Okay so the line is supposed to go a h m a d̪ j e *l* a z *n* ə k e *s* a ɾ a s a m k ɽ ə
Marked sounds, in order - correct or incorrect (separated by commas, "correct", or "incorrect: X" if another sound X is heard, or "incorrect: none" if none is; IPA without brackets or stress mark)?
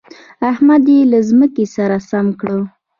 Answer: correct, incorrect: m, correct